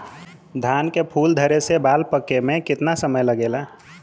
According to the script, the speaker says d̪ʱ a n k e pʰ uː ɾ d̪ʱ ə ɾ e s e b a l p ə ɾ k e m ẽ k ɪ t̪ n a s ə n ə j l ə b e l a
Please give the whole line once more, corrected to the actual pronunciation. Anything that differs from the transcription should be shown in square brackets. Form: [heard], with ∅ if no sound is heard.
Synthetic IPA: d̪ʱ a n k e pʰ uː [l] d̪ʱ ə ɾ e s e b a l p ə [∅] k e m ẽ k ɪ t̪ n a s ə [m] ə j l ə [ɡ] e l a